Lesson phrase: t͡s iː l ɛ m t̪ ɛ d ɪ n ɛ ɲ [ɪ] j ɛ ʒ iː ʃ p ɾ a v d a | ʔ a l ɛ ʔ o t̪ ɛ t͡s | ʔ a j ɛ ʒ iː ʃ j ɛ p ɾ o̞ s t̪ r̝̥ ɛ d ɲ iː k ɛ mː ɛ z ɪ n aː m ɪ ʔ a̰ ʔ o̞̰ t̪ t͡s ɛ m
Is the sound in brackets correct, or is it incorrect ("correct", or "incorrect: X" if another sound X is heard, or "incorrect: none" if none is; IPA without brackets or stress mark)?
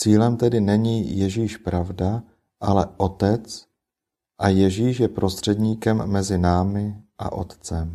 incorrect: i